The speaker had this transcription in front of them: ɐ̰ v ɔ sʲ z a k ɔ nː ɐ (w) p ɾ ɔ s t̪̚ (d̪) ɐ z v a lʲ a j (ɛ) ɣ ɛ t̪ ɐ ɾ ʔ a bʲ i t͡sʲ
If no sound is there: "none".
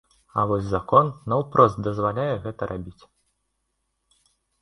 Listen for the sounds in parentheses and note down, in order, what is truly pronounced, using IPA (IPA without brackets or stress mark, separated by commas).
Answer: w, d̪, ɛ